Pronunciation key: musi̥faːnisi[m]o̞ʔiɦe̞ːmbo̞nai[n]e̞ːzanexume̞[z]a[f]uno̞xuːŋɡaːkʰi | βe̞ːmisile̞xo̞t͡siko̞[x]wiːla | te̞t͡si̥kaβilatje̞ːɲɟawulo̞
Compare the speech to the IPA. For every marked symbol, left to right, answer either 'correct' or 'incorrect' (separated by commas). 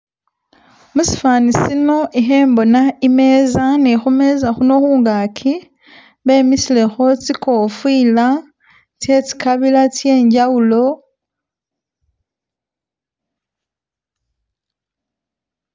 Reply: incorrect, incorrect, correct, incorrect, incorrect